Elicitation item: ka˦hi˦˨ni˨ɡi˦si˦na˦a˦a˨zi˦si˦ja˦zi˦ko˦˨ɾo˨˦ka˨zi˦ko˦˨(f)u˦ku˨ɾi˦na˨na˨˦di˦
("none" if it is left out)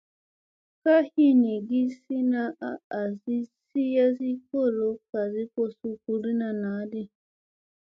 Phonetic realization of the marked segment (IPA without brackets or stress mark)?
s